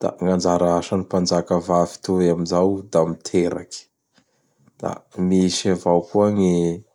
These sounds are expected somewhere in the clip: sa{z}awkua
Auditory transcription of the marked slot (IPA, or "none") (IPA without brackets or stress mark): v